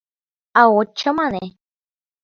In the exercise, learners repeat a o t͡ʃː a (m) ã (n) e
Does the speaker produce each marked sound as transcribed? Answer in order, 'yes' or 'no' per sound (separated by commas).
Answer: yes, yes